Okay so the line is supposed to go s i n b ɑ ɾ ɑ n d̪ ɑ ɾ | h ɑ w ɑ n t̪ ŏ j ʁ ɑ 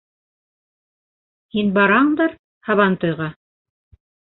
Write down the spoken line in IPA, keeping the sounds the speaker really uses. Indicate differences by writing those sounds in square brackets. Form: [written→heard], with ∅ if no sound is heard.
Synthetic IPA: [s→h] i n b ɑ ɾ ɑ [n→ɴ] d̪ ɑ ɾ | h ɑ [w→β] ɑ n t̪ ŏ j ʁ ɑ